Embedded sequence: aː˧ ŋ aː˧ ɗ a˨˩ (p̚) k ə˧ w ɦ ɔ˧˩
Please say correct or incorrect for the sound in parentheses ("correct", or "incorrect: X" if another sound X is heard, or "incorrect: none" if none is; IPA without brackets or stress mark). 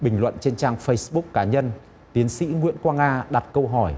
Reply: incorrect: t̚